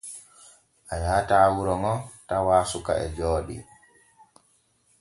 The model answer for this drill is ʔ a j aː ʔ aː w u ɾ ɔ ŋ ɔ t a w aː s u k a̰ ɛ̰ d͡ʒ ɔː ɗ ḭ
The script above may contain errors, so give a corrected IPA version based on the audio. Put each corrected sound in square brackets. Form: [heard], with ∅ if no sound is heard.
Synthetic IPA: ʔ a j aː [t] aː w u ɾ ɔ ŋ ɔ t a w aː s u k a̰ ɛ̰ d͡ʒ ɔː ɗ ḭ